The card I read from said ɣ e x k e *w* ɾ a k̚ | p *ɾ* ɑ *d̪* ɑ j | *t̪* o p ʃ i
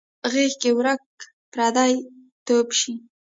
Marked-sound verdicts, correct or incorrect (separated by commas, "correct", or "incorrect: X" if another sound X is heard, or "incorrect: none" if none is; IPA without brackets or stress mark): correct, correct, correct, correct